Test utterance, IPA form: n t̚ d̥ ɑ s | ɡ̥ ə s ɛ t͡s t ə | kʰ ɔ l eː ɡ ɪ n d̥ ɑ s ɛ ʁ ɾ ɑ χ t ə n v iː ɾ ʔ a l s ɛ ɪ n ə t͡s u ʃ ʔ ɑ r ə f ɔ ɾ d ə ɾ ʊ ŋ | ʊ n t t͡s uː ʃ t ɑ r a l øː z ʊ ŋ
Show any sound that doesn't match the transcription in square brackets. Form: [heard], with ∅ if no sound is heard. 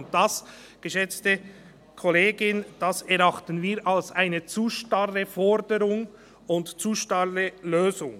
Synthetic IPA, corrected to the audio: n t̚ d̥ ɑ s | ɡ̥ ə [ʃ] ɛ t͡s t ə | kʰ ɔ l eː ɡ ɪ n d̥ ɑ s ɛ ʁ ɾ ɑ χ t ə n v iː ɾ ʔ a l s [a] ɪ n ə t͡s u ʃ [t] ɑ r ə f ɔ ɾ d ə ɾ ʊ ŋ | ʊ n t t͡s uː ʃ t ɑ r [ə] l øː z ʊ ŋ